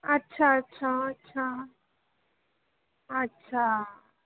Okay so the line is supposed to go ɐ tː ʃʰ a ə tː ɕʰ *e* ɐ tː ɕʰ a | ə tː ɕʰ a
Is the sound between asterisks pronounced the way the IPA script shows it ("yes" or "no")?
no